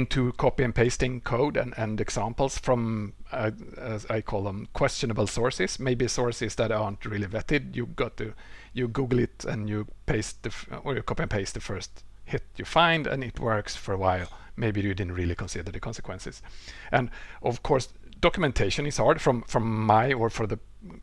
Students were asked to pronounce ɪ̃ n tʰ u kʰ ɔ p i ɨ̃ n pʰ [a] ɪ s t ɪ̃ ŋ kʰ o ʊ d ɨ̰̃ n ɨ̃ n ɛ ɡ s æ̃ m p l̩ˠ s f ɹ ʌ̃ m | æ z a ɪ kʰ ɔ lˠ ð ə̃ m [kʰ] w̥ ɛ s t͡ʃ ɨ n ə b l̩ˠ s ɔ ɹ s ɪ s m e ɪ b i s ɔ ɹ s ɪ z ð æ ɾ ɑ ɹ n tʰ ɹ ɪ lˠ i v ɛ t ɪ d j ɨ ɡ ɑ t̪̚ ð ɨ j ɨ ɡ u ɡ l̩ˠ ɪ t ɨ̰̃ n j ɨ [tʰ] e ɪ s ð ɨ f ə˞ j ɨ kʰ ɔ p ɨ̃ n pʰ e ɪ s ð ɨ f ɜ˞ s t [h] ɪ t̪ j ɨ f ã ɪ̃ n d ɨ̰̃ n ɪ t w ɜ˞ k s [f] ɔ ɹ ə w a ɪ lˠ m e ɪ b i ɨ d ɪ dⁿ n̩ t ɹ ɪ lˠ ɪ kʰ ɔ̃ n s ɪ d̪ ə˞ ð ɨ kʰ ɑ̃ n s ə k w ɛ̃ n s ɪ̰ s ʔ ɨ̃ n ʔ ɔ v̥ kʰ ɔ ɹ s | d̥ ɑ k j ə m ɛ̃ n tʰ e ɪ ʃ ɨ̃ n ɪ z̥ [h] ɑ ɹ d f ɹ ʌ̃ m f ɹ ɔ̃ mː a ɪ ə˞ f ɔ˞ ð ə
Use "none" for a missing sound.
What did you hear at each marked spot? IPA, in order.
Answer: e, kʰ, pʰ, h, f, h

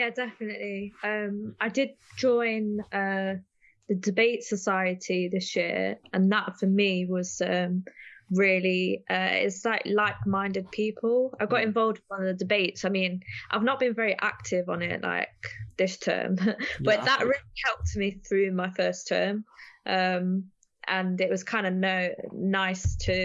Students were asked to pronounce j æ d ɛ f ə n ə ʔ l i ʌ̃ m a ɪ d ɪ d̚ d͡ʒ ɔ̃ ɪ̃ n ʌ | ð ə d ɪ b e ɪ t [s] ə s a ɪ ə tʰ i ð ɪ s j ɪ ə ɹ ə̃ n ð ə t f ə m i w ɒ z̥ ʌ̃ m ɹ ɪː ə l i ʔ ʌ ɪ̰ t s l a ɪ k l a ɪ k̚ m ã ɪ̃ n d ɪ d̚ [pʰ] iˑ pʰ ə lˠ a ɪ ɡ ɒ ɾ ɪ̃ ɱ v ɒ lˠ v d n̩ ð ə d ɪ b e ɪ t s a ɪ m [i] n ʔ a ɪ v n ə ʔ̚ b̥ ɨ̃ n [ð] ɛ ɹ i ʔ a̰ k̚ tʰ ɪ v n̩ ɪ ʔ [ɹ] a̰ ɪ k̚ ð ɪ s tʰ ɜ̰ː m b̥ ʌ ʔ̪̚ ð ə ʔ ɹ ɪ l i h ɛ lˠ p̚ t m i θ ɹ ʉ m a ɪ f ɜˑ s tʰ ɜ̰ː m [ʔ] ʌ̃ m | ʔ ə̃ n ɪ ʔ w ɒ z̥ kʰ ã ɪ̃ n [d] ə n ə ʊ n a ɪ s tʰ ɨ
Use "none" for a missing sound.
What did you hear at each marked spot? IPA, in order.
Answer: s, pʰ, ĩ, v, l, ʔ, d

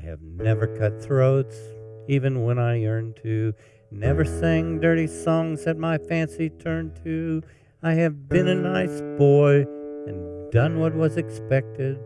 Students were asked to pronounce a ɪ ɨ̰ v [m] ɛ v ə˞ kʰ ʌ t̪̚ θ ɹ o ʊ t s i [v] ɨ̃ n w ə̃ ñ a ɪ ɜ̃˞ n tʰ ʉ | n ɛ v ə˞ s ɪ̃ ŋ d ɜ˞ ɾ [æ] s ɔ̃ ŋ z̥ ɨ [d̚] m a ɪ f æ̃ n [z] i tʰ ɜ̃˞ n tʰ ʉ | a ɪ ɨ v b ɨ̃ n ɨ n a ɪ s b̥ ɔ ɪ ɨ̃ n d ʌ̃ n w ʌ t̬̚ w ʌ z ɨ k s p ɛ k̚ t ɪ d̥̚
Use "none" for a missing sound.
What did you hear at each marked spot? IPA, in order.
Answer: n, v, i, t̚, s

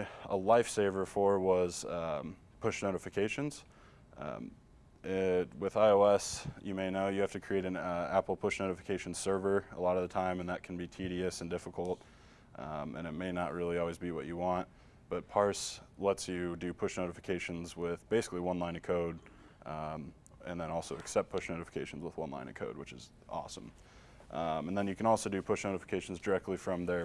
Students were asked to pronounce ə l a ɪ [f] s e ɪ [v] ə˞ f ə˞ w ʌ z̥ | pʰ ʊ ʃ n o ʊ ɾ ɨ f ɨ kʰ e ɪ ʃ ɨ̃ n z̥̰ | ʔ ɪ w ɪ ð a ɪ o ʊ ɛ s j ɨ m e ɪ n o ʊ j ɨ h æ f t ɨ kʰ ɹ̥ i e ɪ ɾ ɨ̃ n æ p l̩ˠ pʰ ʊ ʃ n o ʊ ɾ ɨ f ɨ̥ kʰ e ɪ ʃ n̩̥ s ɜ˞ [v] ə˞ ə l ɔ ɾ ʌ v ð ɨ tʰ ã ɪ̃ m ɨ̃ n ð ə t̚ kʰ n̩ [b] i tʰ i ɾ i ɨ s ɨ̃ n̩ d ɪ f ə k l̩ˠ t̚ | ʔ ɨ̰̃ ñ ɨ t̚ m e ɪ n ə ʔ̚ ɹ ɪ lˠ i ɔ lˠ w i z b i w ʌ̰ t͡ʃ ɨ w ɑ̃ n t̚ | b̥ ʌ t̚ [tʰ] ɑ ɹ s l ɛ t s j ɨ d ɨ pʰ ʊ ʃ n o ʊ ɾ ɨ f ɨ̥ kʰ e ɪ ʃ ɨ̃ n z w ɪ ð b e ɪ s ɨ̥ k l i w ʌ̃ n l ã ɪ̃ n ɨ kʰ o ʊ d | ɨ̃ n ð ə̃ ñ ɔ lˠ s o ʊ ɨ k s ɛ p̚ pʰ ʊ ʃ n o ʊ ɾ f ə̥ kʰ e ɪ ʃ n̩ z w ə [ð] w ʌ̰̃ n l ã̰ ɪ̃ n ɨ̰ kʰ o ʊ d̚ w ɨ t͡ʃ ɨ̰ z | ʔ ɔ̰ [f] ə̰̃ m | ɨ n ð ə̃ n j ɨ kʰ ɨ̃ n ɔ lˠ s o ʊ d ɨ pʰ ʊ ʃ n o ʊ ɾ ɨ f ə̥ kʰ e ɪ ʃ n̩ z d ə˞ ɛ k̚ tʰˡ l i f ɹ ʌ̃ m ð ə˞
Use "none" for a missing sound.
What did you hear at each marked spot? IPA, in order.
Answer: f, v, v, b, pʰ, ð, s

